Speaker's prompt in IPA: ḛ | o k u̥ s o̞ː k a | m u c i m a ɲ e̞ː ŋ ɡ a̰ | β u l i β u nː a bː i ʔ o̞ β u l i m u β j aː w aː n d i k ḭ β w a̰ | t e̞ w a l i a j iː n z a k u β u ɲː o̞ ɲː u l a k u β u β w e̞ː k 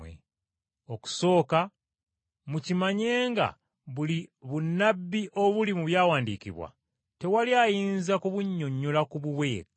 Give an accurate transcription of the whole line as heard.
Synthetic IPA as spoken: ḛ | o k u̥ s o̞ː k a | m u c i m a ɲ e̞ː ŋ ɡ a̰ | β u l i β u nː a bː i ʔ o̞ β u l i m u β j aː w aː n d i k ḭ β w a̰ | t e̞ w a l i a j iː n z a k u β u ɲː o̞ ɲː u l a k u β u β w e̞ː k